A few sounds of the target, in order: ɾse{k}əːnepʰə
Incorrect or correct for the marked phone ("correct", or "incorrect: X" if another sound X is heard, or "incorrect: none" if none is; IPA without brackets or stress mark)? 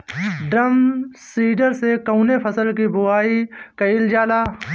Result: correct